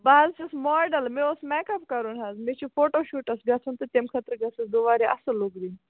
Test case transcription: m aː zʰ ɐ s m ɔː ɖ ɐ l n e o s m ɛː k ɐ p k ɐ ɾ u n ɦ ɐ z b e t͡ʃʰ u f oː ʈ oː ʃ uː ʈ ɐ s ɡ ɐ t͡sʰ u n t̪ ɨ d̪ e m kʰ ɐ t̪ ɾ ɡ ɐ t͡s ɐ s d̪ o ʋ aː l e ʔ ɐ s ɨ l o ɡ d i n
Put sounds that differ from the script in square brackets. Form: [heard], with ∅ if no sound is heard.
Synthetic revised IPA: [b] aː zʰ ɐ s m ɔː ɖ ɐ l [m] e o s m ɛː k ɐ p k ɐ ɾ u n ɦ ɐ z [m] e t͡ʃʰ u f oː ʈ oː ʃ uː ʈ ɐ s ɡ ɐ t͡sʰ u n t̪ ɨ [t̪] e m kʰ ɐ t̪ ɾ ɡ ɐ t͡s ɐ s d̪ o ʋ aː [ɾ] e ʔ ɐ s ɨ l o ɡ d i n